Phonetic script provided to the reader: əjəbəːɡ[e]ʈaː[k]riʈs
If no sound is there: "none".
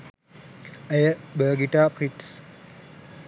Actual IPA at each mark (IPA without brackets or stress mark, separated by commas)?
i, p